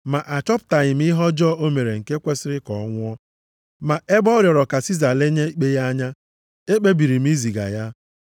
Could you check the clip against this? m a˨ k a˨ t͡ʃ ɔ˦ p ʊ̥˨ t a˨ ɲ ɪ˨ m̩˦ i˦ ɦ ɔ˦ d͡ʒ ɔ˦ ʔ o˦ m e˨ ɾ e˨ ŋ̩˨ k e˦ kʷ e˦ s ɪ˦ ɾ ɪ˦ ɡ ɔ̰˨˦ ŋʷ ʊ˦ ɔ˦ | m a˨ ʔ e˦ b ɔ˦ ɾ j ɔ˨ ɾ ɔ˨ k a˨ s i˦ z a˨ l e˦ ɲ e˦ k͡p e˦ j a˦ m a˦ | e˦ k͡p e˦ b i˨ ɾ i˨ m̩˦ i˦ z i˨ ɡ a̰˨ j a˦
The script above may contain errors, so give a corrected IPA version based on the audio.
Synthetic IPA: m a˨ ʔ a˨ t͡ʃ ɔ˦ p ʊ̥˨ t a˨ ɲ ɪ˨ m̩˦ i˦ ɦ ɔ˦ d͡ʒ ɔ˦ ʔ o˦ m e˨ ɾ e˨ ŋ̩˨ k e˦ kʷ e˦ s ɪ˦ ɾ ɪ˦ k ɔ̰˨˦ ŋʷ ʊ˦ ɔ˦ | m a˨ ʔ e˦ b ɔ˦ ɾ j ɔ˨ ɾ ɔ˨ k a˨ s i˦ z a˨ l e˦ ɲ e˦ k͡p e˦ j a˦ ɲ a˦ | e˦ k͡p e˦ b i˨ ɾ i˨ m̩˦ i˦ z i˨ ɡ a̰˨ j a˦